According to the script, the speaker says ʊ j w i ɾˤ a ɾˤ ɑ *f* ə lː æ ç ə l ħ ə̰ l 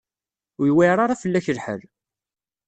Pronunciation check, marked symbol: correct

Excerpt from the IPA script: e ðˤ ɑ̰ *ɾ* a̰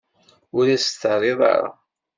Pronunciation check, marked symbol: correct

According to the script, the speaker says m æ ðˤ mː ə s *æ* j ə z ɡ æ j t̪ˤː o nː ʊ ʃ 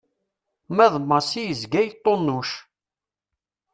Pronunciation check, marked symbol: incorrect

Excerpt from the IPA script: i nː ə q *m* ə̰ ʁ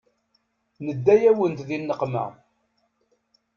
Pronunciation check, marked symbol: correct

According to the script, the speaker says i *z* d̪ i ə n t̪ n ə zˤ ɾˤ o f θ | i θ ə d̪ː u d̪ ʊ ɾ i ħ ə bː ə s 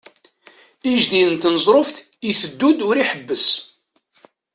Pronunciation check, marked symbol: incorrect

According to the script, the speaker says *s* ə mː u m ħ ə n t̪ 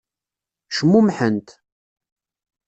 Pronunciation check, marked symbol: incorrect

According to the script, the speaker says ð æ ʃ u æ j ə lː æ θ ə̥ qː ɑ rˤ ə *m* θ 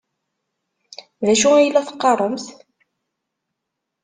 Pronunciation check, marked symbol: correct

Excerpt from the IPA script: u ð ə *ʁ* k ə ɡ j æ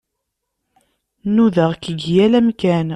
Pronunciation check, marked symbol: correct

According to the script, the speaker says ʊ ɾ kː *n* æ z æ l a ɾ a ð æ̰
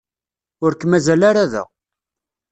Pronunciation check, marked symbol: incorrect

